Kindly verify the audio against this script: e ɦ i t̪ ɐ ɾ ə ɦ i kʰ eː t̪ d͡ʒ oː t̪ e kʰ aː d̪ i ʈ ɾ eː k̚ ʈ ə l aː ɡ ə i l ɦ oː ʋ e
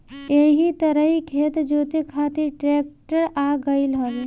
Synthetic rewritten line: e ɦ i t̪ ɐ ɾ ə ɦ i kʰ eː t̪ d͡ʒ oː t̪ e kʰ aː t̪ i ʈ ɾ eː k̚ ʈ ə ɾ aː ɡ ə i l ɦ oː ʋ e